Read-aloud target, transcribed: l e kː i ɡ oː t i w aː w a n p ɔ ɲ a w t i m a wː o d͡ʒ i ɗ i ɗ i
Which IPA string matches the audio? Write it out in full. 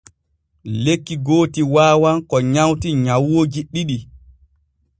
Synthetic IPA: l e kː i ɡ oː t i w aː w a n k ɔ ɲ a w t i ɲ a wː o d͡ʒ i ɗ i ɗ i